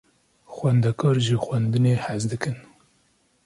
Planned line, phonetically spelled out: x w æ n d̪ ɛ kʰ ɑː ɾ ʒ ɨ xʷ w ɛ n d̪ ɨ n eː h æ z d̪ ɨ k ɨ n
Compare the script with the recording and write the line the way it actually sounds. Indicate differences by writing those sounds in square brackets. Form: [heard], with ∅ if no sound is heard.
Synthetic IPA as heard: x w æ n d̪ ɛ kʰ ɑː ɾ ʒ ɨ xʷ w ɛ n d̪ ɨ n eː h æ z d̪ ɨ k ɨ n